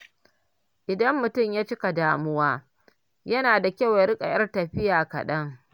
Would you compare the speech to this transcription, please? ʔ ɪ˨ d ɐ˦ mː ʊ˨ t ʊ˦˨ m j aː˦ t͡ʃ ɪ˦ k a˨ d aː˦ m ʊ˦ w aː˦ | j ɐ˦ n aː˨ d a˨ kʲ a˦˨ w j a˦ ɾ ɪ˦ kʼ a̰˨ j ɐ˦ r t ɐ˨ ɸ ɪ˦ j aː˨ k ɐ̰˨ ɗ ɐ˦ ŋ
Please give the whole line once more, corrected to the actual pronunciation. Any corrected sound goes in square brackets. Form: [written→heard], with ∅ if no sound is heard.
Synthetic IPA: ʔ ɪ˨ d ɐ˦ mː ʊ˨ t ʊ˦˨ m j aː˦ t͡ʃ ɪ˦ k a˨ d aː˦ m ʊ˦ w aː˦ | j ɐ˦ n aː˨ d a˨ kʲ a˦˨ w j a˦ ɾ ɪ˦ kʼ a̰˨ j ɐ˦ r t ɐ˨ ɸ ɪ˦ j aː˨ k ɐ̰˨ ɗ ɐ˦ ŋ